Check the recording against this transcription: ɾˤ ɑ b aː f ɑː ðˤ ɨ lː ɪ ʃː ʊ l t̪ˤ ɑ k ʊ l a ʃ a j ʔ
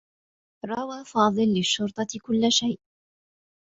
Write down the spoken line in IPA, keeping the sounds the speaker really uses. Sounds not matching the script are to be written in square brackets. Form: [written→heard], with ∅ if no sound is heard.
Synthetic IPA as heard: ɾˤ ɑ [b→w] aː f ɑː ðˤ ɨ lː ɪ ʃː ʊ [l→ɾ] t̪ˤ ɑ k ʊ [l→lː] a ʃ a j ʔ